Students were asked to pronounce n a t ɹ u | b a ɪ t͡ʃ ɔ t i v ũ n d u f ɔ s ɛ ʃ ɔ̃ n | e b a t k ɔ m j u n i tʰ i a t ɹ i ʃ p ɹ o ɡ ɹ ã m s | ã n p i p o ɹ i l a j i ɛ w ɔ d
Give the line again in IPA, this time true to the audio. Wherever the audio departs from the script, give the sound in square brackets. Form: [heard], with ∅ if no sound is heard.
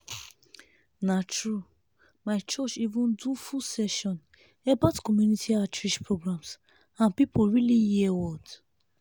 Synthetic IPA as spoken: n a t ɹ u | [m] a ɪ t͡ʃ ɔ [t͡ʃ] i v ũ n d u f [u] s ɛ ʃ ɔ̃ n | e b a t k ɔ m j u n i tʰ i a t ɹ i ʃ p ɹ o ɡ ɹ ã m s | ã n p i p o ɹ i l [i] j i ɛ w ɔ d